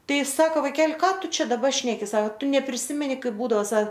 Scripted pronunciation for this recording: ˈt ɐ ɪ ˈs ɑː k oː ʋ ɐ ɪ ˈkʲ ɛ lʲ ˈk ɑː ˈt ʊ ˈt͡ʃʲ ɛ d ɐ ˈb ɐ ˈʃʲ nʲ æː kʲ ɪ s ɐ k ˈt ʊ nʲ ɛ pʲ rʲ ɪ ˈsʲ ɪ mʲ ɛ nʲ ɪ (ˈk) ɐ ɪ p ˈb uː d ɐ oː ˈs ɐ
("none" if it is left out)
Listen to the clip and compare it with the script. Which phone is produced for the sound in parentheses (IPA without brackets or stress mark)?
k